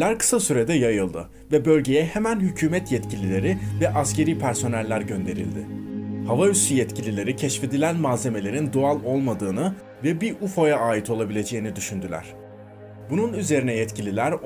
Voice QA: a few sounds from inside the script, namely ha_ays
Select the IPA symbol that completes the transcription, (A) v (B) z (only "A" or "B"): A